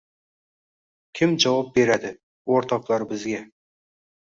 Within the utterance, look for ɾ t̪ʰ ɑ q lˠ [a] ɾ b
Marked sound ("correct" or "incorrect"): incorrect